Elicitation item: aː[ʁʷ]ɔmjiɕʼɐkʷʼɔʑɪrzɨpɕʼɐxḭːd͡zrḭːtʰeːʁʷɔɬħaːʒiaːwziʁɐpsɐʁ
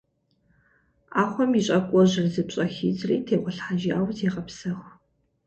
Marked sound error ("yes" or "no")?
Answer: yes